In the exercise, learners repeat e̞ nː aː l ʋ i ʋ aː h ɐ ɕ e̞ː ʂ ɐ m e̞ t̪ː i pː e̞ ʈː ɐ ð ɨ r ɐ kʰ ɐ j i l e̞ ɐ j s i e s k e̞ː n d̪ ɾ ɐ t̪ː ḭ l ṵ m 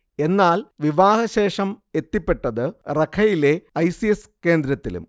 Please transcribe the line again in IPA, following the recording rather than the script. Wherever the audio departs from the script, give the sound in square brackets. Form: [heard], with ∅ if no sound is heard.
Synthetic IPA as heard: e̞ nː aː l ʋ i ʋ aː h ɐ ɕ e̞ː ʂ ɐ m e̞ t̪ː i pː e̞ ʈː ɐ ð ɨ r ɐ kʰ ɐ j i l e̞ ɐ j s i e s k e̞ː n d̪ ɾ ɐ t̪ː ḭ l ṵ m

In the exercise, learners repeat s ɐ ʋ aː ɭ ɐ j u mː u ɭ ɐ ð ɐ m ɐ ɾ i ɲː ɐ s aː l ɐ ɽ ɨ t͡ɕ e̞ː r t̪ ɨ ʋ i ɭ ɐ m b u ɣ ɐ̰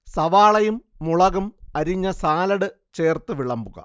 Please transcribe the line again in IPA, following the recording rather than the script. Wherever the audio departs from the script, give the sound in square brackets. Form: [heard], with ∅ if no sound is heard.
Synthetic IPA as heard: s ɐ ʋ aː ɭ ɐ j u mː u ɭ ɐ [ɣ] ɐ m ɐ ɾ i ɲː ɐ s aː l ɐ ɽ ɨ t͡ɕ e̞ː r t̪ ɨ ʋ i ɭ ɐ m b u ɣ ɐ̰

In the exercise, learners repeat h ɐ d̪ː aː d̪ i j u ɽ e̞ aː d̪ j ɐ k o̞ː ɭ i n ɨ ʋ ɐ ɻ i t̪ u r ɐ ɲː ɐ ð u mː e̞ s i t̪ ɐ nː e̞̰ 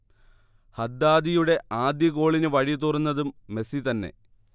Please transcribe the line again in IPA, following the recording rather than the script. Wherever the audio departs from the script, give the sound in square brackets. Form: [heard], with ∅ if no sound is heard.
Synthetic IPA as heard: h ɐ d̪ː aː d̪ i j u ɽ e̞ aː d̪ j ɐ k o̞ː ɭ i n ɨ ʋ ɐ ɻ i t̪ u r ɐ [nː] ɐ ð u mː e̞ s i t̪ ɐ nː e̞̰

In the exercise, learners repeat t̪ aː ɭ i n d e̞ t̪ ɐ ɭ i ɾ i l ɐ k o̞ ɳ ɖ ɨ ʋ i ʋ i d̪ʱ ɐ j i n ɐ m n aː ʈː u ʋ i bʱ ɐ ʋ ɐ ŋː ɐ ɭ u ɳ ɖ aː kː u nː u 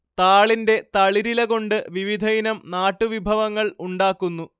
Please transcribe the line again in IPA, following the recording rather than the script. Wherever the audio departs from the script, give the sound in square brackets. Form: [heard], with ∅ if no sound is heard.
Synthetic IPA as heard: t̪ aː ɭ i n d e̞ t̪ ɐ ɭ i ɾ i l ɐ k o̞ ɳ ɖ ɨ ʋ i ʋ i d̪ʱ ɐ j i n ɐ m n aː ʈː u ʋ i bʱ ɐ ʋ ɐ ŋː ɐ ɭ u ɳ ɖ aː kː u nː u

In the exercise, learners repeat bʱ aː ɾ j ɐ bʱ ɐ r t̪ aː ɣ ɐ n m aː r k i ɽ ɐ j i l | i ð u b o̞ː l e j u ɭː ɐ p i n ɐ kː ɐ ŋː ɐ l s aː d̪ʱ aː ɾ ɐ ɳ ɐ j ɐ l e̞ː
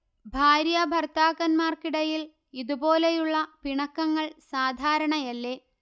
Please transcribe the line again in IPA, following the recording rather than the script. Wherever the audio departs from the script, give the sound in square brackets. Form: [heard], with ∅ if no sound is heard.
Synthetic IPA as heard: bʱ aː ɾ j ɐ bʱ ɐ r t̪ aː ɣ ɐ n m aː r k i ɽ ɐ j i l | i ð u b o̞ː l e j u ɭː ɐ p i [ɳ] ɐ kː ɐ ŋː ɐ [ɭ] s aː d̪ʱ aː ɾ ɐ ɳ ɐ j ɐ [lː] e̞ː

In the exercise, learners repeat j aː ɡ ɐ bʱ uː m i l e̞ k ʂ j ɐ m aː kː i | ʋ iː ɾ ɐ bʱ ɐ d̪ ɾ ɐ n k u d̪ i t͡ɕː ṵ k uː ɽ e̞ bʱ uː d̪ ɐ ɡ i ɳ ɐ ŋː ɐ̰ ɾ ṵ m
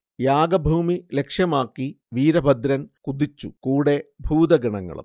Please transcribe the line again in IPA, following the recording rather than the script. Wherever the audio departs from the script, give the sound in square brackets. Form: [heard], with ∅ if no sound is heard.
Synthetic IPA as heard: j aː ɡ ɐ bʱ uː m i l e̞ k ʂ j ɐ m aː kː i | ʋ iː ɾ ɐ bʱ ɐ d̪ ɾ ɐ n k u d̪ i t͡ɕː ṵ k uː ɽ e̞ bʱ uː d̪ ɐ ɡ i ɳ ɐ ŋː ɐ̰ [ɭ] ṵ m

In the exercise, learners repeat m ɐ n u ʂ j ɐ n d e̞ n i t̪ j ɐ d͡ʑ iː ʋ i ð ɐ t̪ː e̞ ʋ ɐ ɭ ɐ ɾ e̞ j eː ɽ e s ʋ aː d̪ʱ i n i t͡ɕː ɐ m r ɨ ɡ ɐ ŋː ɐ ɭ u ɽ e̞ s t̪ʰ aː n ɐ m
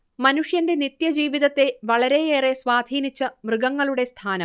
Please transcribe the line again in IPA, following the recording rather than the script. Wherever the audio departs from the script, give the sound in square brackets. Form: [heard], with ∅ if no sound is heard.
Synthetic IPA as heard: m ɐ n u ʂ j ɐ n d e̞ n i t̪ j ɐ d͡ʑ iː ʋ i ð ɐ t̪ː e̞ ʋ ɐ ɭ ɐ ɾ e̞ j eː [r] e s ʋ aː d̪ʱ [iː] n i t͡ɕː ɐ m r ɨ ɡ ɐ ŋː ɐ ɭ u ɽ e̞ s t̪ʰ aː n ɐ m

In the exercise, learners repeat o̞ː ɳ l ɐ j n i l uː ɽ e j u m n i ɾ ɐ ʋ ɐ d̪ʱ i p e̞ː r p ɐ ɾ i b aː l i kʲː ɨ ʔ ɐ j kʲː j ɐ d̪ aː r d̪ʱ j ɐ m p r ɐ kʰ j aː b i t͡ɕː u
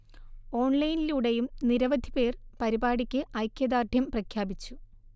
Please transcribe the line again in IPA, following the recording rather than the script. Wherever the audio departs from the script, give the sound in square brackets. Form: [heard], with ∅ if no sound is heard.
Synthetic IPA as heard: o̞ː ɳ l ɐ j n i l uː ɽ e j u m n i ɾ ɐ ʋ ɐ d̪ʱ i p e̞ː r p ɐ ɾ i b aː [ɽ] i kʲː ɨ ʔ ɐ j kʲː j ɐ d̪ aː r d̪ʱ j ɐ m p r ɐ kʰ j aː b i t͡ɕː u

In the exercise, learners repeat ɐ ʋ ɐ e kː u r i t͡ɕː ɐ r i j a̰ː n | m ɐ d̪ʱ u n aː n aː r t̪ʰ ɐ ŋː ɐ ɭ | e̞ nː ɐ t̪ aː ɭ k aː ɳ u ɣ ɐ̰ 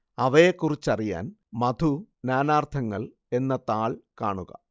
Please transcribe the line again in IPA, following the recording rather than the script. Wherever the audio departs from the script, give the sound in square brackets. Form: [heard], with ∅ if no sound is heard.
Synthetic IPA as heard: ɐ ʋ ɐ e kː u r i t͡ɕː ɐ r i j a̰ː n | m ɐ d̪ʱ u n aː n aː r t̪ʰ ɐ ŋː ɐ ɭ | e̞ nː ɐ t̪ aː ɭ k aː ɳ u ɣ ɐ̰

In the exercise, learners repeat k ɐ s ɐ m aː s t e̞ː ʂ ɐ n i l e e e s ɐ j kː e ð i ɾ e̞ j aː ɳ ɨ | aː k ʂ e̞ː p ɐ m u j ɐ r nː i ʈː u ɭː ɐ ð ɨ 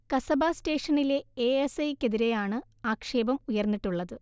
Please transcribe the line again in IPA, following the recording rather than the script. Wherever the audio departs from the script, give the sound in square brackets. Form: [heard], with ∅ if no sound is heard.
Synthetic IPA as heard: k ɐ s ɐ [b] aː s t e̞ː ʂ ɐ n i l e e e s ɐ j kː e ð i ɾ e̞ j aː ɳ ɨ | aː k ʂ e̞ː [b] ɐ m u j ɐ r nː i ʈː u ɭː ɐ ð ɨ

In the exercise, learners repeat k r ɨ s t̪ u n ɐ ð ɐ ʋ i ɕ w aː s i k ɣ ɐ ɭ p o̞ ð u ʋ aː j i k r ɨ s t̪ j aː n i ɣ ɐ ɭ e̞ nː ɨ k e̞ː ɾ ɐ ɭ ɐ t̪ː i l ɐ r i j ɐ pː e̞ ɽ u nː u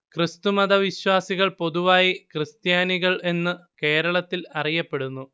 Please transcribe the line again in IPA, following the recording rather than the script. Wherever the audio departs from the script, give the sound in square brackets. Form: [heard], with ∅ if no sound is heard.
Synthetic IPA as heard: k r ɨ s t̪ u [m] ɐ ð ɐ ʋ i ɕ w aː s i [∅] ɣ ɐ ɭ p o̞ ð u ʋ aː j i k r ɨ s t̪ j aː n i ɣ ɐ ɭ e̞ nː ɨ k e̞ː ɾ ɐ ɭ ɐ t̪ː i l ɐ r i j ɐ pː e̞ ɽ u nː u

